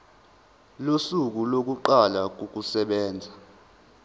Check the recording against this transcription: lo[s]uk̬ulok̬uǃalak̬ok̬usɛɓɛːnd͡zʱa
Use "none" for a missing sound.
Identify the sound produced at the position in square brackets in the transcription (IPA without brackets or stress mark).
s